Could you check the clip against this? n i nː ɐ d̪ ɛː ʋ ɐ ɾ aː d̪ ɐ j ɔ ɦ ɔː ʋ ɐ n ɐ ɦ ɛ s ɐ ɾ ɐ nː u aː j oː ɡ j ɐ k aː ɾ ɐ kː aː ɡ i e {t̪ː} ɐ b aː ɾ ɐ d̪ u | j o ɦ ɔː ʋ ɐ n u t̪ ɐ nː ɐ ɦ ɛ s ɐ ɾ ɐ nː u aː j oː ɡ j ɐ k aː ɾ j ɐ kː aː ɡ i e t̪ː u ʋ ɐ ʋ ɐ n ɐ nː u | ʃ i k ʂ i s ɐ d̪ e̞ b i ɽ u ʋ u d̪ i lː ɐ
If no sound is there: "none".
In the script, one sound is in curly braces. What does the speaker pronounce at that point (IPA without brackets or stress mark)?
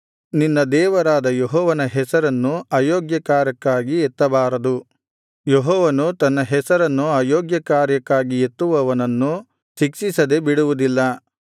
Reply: t̪ː